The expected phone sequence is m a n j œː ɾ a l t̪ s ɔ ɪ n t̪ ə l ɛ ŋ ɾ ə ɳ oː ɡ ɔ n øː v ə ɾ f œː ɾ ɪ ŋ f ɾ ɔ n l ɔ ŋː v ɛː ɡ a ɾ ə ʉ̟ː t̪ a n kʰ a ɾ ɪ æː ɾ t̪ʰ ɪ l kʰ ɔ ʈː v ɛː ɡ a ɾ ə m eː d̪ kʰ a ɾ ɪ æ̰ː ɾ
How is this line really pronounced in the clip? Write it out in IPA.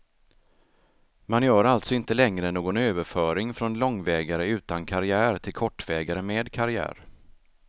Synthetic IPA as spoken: m a n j œː ɾ a l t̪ s ɔ ɪ n t̪ ə l ɛ ŋ ɾ ə n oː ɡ ɔ n øː v ə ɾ f œː ɾ ɪ ŋ f ɾ ɔ n l ɔ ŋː v ɛː ɡ a ɾ ə ʉ̟ː t̪ a n kʰ a ɾ ɪ æː ɾ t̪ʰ ɪ l kʰ ɔ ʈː v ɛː ɡ a ɾ ə m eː d̪ kʰ a ɾ ɪ æ̰ː ɾ